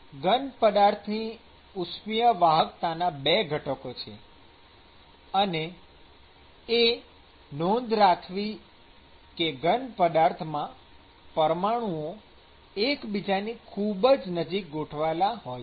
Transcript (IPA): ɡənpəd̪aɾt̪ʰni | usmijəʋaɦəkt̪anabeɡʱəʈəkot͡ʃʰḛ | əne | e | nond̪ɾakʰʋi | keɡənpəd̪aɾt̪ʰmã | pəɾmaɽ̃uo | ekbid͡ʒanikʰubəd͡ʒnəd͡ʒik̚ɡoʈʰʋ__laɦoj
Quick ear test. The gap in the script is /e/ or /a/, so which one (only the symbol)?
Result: a